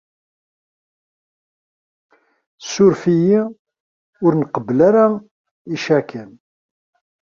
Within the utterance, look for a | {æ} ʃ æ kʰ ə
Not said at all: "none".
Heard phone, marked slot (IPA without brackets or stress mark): i